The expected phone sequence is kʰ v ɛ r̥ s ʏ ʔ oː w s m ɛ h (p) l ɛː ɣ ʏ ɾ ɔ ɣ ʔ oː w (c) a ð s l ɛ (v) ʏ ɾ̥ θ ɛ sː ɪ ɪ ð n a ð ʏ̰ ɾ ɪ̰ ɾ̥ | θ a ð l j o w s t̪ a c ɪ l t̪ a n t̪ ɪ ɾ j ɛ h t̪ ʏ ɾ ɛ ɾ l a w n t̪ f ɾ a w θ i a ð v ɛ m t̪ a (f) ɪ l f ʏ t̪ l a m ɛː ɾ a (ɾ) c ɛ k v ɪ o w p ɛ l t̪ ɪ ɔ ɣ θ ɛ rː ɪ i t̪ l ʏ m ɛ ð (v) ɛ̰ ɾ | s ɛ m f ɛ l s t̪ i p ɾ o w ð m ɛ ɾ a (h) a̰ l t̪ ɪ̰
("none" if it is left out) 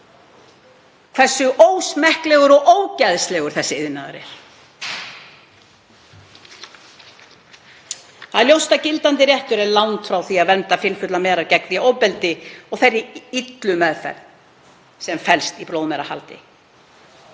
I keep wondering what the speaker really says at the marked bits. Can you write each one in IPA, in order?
k, c, ɣ, f, ɾ, f, h

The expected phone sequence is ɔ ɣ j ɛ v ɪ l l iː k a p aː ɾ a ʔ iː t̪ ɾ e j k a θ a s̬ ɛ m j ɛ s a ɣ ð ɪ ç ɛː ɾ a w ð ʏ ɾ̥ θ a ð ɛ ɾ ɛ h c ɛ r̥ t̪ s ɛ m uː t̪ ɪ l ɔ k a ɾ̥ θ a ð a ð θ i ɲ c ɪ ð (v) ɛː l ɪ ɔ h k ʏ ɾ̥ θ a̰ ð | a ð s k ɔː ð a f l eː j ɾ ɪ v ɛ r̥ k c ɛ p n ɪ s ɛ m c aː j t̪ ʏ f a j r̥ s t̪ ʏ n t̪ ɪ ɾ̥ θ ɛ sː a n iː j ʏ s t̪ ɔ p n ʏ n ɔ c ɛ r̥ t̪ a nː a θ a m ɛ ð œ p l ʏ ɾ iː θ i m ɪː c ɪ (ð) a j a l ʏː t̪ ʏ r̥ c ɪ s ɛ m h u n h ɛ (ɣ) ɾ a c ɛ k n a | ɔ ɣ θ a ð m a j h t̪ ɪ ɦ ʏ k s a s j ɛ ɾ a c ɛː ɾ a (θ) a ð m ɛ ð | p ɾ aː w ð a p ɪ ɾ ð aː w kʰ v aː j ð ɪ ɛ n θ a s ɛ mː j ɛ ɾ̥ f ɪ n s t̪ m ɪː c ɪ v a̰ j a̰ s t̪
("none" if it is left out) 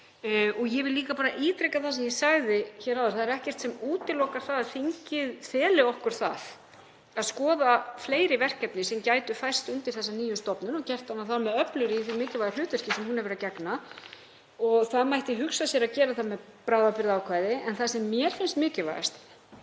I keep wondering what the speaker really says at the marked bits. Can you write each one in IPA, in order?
f, v, v, θ

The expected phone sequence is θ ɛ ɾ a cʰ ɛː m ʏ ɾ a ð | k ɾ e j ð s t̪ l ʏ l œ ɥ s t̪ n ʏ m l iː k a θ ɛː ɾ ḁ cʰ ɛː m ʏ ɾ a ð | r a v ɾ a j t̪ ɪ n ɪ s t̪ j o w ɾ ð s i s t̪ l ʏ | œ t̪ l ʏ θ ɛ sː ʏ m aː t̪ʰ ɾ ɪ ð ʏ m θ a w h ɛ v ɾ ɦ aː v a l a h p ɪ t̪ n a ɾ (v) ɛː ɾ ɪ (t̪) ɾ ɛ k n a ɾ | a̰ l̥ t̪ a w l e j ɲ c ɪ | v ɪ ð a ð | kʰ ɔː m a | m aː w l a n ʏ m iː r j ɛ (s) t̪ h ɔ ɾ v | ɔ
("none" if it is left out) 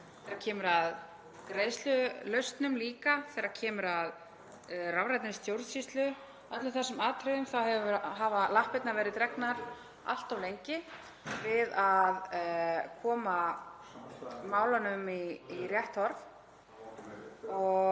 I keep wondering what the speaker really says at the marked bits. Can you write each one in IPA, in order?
v, t̪, h

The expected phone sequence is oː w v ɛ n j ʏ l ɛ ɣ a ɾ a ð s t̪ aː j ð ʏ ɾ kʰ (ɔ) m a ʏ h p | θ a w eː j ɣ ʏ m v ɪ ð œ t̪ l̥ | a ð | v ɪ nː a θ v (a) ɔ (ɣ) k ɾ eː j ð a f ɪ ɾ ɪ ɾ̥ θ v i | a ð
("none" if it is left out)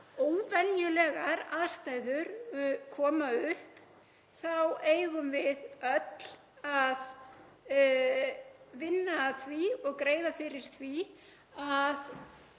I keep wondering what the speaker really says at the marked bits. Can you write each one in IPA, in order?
ɔː, i, ɣ

